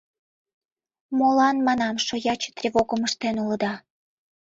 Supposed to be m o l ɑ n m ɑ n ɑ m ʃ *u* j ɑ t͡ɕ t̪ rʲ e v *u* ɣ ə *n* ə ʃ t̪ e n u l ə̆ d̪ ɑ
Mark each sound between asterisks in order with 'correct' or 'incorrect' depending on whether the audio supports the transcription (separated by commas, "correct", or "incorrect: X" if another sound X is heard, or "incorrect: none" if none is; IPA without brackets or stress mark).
incorrect: o, incorrect: o, incorrect: m